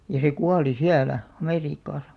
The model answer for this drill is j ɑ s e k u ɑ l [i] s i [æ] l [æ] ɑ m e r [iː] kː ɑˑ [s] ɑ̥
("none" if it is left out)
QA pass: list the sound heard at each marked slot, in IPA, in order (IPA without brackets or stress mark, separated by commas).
i, æ, æ, iː, s